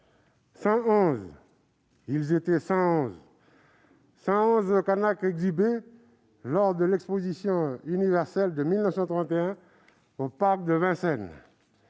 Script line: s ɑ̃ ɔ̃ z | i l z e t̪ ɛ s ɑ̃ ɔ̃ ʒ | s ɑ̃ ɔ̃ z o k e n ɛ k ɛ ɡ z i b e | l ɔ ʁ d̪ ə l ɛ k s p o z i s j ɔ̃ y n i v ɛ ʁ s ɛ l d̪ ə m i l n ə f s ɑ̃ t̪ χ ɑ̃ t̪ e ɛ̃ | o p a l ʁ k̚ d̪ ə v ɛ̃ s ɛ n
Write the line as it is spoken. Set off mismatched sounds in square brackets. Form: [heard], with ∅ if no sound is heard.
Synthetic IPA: s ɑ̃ ɔ̃ z | i l z e t̪ ɛ s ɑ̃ ɔ̃ [z] | s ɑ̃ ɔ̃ z o k [a] n [a] k ɛ ɡ z i b e | l ɔ ʁ d̪ ə l ɛ k s p o z i s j ɔ̃ y n i v ɛ ʁ s ɛ l d̪ ə m i l n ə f s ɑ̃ t̪ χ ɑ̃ t̪ e ɛ̃ | o p a [∅] ʁ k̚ d̪ ə v ɛ̃ s ɛ n